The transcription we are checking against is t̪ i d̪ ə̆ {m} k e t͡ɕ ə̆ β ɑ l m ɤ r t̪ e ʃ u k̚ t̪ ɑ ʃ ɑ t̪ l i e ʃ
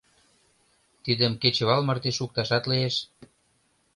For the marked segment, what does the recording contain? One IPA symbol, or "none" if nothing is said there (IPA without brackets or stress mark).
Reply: m